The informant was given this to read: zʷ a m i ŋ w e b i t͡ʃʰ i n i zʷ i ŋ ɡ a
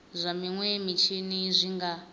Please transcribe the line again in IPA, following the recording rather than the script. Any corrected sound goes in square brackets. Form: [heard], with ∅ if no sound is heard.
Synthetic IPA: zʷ a m i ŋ w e [m] i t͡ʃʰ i n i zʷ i ŋ ɡ a